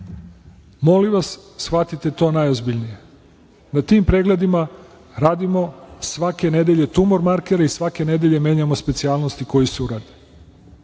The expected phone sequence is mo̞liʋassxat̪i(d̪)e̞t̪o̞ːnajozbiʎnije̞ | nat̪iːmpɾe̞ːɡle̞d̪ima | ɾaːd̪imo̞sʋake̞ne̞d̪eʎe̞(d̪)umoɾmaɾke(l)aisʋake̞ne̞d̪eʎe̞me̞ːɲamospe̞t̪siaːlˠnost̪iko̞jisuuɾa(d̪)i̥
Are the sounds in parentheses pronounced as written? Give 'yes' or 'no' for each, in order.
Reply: no, no, no, yes

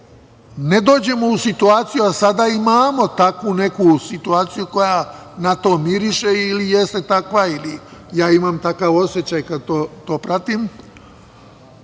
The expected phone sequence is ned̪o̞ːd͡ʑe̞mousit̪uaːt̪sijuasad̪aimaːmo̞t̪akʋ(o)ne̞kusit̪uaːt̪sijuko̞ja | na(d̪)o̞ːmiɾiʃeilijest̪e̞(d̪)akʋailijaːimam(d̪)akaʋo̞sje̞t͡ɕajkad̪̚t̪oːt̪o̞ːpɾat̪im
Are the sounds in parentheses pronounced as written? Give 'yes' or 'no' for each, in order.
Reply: no, no, no, no

